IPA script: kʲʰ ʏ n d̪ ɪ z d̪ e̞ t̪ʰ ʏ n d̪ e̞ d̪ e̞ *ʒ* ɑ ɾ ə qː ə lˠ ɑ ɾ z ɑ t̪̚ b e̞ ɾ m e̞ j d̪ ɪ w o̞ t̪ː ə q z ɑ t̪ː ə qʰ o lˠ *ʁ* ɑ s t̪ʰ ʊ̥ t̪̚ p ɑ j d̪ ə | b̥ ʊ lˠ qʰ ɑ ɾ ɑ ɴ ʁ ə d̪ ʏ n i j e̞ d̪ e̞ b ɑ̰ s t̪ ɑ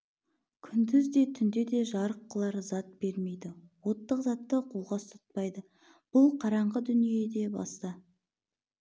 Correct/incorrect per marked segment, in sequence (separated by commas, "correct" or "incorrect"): correct, correct